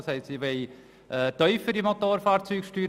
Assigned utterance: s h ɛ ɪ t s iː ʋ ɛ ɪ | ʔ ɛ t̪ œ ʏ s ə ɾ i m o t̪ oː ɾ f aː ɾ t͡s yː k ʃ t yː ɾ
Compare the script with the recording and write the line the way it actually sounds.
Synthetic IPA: s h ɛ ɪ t s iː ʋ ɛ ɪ | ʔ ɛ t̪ œ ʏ f ə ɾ i m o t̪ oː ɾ f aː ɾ t͡s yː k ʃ t yː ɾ

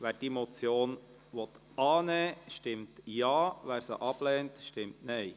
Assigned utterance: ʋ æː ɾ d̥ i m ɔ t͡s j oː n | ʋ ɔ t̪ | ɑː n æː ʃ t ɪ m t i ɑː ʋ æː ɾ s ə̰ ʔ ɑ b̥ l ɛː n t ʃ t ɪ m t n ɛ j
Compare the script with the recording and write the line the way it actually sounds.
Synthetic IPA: ʋ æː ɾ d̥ i m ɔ t͡s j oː n | ʋ ɔ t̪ | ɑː n ɛː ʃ t ɪ m t j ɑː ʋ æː ɾ s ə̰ ʔ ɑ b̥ l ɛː n t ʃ t ɪ m t n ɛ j

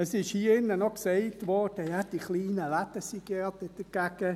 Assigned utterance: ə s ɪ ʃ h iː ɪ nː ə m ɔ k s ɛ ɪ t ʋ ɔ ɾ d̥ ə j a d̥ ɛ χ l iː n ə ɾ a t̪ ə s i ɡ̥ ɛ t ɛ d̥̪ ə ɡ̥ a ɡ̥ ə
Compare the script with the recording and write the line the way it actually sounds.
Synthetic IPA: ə s ɪ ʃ h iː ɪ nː ə n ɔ k s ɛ ɪ t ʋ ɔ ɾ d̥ ə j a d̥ i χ l iː n ə l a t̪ ə s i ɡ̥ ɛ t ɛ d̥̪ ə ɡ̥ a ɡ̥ ə

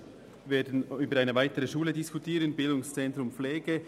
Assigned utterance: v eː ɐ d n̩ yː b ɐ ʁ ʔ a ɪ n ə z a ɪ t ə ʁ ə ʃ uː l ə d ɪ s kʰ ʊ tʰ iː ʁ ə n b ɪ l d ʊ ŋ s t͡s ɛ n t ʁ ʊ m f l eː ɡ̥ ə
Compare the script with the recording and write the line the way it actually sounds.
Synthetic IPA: v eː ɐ d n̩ yː b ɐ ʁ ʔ a ɪ n ə v a ɪ t ə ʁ ə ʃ uː l ə d ɪ s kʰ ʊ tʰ iː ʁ ə n b ɪ l d ʊ ŋ s t͡s ɛ n t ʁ ʊ m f l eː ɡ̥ ə

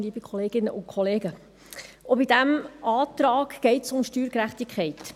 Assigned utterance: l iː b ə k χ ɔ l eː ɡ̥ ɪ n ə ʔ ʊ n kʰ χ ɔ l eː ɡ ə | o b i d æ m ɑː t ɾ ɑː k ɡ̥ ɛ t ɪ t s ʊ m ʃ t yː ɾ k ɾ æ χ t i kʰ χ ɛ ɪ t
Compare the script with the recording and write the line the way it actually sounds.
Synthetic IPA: l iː b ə k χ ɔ l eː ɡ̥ ɪ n ə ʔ ʊ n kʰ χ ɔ l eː ɡ ə | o b i d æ m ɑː t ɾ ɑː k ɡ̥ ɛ ɪ t s ʊ m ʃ t yː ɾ k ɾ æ χ t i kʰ χ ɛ ɪ t

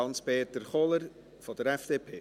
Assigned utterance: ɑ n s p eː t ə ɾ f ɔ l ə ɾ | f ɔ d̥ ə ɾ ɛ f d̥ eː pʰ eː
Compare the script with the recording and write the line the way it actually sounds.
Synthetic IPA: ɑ n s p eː t ə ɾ χ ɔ l ə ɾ | f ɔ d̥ ə ɾ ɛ f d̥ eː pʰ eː

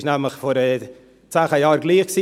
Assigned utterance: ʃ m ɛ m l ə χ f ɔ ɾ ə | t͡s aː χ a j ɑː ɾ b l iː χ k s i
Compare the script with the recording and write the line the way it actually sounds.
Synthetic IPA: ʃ n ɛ m l ə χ f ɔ ɾ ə | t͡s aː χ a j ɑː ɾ ɡ l iː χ k s i

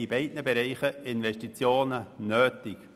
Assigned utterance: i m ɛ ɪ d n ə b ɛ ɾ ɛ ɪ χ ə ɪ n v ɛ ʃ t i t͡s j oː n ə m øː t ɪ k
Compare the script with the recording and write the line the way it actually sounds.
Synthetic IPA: i b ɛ ɪ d n ə b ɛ ɾ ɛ ɪ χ ə ɪ n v ɛ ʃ t i t͡s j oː n ə n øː t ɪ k

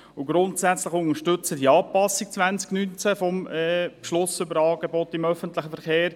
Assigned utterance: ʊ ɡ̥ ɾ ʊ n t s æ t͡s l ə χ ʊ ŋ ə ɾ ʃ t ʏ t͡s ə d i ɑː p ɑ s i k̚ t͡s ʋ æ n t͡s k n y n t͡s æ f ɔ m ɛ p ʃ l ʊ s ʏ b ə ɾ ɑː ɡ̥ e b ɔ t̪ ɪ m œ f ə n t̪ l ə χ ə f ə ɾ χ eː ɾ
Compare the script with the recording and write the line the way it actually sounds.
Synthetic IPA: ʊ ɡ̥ ɾ ʊ n t s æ t͡s l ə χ ʊ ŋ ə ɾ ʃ t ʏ t͡s ə d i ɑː p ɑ s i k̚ t͡s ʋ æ n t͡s k n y n t͡s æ f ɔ m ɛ p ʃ l ʊ s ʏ b ə ɾ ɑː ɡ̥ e b ɔ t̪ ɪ m œ f ə n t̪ l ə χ ə f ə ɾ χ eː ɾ

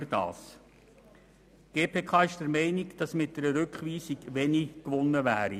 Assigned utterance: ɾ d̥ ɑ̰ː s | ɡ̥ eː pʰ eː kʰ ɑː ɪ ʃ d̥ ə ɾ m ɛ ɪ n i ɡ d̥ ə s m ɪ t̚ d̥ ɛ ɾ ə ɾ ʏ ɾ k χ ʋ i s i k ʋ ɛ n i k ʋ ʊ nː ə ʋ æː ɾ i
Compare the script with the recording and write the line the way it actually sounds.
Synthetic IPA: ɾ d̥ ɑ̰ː s | ɡ̥ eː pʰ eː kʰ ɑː ɪ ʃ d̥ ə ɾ m ɛ ɪ n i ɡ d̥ ɑ s m ɪ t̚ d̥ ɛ ɾ ə ɾ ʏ k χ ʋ iː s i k ʋ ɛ n i k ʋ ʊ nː ə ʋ æː ɾ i

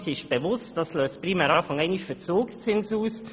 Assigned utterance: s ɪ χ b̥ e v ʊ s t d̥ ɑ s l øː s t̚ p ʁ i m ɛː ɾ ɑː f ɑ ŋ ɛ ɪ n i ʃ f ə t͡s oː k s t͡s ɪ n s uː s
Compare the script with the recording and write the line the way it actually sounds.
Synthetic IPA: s ɪ ʃ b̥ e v ʊ s t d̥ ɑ s l øː s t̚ p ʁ i m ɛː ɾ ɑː f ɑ ŋ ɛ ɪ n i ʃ f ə t͡s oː k s t͡s ɪ n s uː s

